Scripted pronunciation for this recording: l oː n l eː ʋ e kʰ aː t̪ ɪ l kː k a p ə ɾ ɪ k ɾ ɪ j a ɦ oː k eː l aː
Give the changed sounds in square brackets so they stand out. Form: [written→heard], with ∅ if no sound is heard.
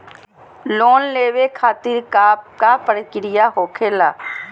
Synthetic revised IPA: l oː n l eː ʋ e kʰ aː t̪ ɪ [l→ɾ] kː k a p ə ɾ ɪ k ɾ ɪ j a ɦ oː [k→kʰ] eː l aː

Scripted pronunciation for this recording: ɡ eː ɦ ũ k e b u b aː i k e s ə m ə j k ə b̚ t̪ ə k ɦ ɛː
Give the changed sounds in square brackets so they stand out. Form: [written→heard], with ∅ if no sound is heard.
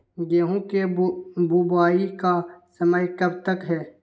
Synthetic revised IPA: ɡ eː ɦ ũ k e b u b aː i k [e→a] s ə m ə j k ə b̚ t̪ ə k ɦ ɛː

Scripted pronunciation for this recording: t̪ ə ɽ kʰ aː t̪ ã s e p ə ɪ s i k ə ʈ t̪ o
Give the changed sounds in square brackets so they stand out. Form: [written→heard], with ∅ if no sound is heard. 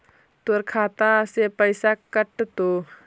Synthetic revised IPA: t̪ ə [ɽ→ɾ] kʰ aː t̪ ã s e p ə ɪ s [i→a] k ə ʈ t̪ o

